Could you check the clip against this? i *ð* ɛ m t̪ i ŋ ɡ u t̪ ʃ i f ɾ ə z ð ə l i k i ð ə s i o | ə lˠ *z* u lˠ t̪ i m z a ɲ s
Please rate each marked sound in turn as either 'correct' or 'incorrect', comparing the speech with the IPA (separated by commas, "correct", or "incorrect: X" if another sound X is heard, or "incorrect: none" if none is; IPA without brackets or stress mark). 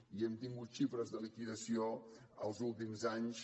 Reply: incorrect: none, correct